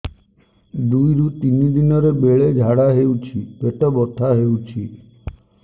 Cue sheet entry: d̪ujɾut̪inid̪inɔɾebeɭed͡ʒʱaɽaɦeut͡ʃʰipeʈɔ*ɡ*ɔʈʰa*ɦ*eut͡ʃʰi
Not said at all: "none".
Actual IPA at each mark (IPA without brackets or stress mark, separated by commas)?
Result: b, ɦ